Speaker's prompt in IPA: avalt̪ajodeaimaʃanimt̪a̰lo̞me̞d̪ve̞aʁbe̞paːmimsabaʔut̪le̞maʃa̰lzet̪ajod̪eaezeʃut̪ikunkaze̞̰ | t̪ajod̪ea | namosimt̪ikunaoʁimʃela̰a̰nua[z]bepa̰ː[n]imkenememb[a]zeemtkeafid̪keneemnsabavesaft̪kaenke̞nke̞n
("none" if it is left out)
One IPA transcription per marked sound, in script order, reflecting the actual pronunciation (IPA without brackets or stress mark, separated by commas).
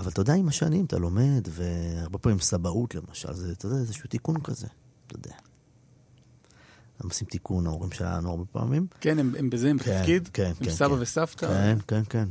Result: ʁ, m, e